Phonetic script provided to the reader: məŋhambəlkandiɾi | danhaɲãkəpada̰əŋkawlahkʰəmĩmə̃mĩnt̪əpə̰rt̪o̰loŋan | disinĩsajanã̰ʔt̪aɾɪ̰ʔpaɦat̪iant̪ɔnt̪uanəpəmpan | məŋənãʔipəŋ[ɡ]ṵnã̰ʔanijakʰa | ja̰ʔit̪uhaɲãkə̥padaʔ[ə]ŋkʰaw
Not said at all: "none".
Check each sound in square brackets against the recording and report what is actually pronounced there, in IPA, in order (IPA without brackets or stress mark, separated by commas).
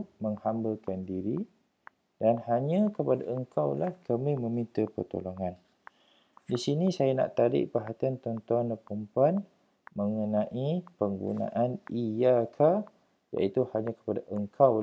ɡ, ə